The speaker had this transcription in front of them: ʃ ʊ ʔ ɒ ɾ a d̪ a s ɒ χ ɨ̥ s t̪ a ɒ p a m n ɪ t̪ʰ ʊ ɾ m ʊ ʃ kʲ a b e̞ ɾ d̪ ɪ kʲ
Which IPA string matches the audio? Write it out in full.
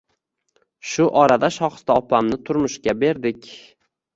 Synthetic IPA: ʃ ʊ ʔ ɒ ɾ a d̪ a ʃ ɒ χ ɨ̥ s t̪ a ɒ p a m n ɪ t̪ʰ ʊ ɾ m ʊ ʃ kʲ a b e̞ ɾ d̪ ɪ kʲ